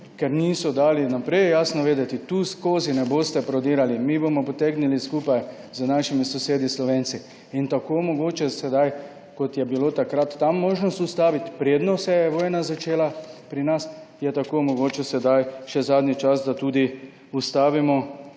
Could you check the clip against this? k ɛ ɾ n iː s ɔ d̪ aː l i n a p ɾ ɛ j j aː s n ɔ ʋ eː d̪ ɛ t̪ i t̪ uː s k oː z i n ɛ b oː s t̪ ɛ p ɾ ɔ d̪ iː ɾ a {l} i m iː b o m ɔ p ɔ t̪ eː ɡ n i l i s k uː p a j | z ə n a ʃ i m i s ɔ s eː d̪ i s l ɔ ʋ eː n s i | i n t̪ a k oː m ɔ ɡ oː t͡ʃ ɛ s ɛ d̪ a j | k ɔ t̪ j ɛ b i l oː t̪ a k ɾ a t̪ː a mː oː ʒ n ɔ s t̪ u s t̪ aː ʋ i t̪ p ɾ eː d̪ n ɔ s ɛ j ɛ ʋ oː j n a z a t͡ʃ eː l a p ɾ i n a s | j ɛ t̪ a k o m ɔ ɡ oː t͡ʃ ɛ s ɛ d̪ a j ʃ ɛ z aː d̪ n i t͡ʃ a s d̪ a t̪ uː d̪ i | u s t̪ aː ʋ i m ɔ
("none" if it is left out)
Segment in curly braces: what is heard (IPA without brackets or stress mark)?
l